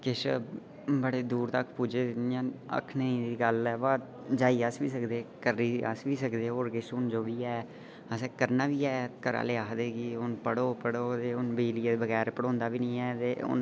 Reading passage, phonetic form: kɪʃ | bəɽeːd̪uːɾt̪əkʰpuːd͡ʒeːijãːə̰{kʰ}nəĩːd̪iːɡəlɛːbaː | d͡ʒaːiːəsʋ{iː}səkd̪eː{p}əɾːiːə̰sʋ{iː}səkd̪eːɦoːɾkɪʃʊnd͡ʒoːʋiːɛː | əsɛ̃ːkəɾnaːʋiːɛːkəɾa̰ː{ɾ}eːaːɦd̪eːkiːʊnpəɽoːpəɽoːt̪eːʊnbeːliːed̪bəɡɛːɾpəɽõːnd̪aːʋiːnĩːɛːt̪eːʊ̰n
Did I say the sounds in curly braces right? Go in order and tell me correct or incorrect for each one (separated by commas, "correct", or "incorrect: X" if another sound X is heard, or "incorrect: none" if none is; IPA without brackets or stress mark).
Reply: correct, correct, incorrect: k, correct, incorrect: l